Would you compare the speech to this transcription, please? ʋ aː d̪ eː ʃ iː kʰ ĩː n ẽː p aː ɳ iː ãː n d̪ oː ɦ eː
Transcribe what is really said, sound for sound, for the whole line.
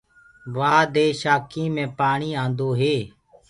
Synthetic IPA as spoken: ʋ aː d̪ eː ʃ aː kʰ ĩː m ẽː p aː ɳ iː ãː n d̪ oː ɦ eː